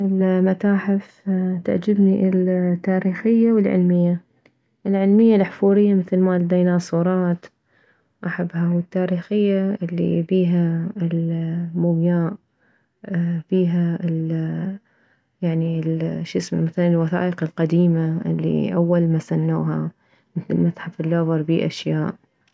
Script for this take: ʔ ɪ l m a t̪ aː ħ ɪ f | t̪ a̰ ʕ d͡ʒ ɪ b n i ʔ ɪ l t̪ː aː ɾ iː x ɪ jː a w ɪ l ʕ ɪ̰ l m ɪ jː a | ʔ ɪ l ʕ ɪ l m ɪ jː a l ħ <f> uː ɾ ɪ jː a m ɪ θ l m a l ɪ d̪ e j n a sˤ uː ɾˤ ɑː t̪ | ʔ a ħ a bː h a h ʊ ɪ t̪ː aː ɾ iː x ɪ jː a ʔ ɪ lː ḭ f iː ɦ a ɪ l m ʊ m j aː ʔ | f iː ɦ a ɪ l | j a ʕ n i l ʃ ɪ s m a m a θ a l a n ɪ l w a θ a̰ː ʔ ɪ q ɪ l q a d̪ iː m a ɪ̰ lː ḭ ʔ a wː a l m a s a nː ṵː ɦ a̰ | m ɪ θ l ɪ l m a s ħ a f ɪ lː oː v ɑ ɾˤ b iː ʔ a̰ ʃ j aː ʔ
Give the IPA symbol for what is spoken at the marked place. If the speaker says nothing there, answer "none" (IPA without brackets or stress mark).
f